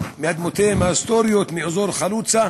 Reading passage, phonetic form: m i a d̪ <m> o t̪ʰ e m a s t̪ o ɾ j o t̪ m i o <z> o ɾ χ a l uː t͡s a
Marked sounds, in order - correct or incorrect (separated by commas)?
correct, correct